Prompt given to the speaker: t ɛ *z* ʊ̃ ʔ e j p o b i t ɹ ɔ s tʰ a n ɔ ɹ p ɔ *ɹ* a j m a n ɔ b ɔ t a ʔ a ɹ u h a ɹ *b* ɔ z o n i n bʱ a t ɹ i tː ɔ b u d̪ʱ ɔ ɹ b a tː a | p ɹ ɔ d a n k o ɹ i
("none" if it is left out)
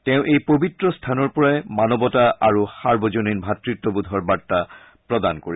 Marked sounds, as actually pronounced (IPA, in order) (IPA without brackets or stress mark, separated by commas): none, ɹ, b